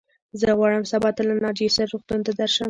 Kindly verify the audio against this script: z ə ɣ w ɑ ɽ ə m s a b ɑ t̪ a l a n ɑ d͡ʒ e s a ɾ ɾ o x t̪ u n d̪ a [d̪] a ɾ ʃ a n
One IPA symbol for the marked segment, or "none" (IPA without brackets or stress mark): d̪